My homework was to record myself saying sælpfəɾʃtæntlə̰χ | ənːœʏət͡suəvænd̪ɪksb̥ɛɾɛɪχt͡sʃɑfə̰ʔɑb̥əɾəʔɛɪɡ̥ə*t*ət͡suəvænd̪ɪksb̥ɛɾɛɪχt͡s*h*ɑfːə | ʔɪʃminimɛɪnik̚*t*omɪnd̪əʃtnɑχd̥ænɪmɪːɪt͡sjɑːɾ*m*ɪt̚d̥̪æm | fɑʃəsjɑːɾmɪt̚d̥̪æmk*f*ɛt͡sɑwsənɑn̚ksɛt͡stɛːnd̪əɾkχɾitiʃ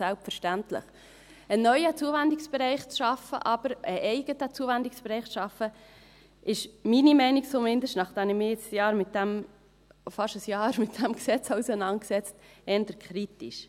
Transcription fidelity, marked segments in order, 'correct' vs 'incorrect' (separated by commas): correct, incorrect, incorrect, correct, incorrect